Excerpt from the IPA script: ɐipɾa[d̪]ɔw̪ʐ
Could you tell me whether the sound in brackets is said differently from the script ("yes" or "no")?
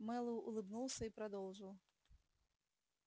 no